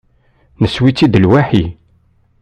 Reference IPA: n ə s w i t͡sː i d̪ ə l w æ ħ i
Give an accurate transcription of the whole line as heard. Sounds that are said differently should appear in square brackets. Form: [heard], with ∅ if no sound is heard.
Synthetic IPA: n ə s w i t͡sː i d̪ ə l w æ ħ i